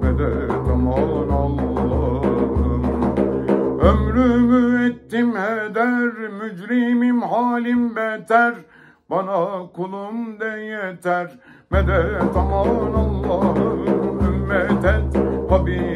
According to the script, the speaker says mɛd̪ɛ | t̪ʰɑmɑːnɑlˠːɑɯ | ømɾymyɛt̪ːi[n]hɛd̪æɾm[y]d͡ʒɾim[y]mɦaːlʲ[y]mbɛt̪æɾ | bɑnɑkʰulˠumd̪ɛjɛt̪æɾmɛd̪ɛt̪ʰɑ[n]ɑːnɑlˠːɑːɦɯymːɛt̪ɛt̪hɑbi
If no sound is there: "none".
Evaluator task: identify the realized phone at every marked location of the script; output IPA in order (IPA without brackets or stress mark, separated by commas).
m, y, i, i, m